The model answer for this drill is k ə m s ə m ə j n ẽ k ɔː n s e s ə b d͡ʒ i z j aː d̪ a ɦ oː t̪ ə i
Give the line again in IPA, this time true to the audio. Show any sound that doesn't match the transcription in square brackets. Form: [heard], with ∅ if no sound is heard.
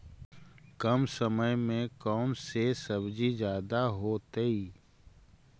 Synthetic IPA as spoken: k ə m s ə m ə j [m] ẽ k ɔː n s e s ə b d͡ʒ i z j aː d̪ a ɦ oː t̪ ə i